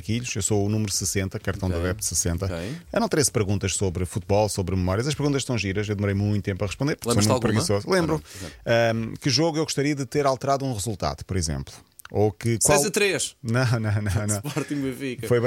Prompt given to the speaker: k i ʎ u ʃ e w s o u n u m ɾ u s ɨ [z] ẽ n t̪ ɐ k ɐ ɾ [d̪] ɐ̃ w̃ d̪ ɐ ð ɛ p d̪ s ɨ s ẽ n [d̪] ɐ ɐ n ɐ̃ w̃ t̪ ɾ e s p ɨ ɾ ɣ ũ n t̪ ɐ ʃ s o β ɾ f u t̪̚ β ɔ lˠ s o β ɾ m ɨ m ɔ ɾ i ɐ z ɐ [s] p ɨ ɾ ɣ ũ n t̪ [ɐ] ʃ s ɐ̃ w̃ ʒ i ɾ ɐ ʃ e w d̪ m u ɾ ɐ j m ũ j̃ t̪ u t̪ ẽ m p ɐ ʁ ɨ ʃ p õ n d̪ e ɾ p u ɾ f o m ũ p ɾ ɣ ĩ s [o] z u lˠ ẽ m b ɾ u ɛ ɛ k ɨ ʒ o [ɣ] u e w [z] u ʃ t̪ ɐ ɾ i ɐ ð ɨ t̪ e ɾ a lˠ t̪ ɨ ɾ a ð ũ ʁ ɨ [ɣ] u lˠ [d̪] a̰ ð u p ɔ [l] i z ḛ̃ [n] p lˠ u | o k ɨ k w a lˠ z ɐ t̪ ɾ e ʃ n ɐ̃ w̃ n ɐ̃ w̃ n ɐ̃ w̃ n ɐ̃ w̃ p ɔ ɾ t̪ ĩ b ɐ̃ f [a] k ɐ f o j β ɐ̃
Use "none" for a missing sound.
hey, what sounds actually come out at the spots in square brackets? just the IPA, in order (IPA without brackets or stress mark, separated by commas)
s, t̪, t̪, ʃ, ɐ, o, ɣ, ɣ, z, t̪, ɾ, m, i